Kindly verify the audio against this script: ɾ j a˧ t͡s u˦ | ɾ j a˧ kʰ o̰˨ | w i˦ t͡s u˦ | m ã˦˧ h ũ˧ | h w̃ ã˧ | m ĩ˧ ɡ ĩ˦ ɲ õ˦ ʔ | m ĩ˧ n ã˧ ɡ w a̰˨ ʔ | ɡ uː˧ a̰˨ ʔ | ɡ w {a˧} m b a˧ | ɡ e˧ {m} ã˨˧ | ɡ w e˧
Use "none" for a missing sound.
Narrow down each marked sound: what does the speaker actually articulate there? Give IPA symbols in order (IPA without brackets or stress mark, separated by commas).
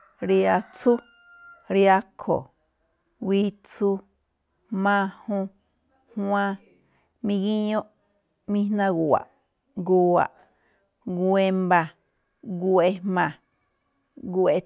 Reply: e˧, m